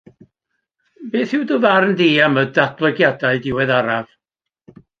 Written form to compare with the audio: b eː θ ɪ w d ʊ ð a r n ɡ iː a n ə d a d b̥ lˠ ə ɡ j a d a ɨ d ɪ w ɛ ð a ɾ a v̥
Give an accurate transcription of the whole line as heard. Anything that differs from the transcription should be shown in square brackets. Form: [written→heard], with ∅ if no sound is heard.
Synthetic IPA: b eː θ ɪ w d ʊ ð a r n [ɡ→d] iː a [n→m] ə d a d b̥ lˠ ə ɡ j a d a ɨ d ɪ w ɛ ð a ɾ a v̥